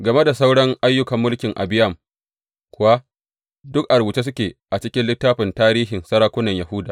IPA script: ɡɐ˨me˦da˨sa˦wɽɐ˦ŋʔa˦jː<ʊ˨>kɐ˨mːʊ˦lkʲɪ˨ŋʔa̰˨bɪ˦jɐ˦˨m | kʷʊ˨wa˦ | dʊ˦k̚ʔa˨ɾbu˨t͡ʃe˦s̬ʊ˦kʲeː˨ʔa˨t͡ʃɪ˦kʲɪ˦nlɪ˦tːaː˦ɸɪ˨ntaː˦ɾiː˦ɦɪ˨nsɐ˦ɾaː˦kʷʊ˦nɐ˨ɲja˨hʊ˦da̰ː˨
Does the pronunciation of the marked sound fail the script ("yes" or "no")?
yes